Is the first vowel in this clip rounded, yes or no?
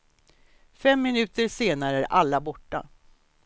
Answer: no